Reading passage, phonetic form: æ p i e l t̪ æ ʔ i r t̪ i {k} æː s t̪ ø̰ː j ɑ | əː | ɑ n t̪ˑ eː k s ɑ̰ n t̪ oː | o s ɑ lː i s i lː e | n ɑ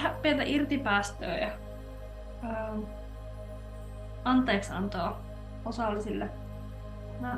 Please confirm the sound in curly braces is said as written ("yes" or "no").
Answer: no